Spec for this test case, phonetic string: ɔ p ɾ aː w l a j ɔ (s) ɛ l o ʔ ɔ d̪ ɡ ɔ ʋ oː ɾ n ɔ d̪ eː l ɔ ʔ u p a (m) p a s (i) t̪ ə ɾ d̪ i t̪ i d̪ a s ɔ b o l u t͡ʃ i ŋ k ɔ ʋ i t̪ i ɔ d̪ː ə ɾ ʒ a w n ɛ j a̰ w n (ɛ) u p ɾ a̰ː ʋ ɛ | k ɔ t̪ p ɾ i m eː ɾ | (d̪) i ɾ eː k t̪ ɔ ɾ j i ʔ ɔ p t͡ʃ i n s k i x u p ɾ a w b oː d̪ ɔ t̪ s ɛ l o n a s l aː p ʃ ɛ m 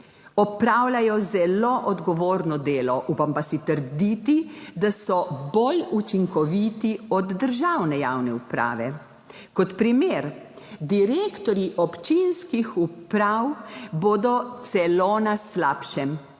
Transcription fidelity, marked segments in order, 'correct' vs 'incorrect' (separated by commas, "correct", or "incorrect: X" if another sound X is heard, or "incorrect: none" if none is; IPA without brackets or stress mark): incorrect: z, correct, correct, correct, correct